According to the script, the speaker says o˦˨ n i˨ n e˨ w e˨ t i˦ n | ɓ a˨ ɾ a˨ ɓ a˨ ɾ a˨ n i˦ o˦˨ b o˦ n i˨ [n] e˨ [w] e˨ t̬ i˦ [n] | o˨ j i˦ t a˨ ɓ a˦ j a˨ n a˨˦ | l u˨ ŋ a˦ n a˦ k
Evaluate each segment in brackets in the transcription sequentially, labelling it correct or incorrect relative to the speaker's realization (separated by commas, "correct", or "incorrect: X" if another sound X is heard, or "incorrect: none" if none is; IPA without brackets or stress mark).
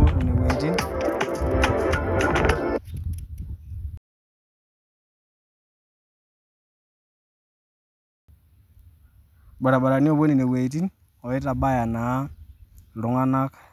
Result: correct, correct, correct